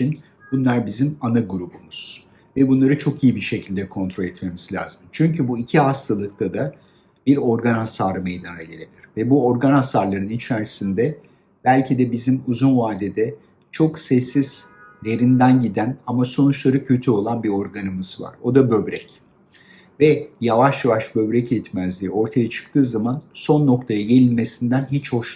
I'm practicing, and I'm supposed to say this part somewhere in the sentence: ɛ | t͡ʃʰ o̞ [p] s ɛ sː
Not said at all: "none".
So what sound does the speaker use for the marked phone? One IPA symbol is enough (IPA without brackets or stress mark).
k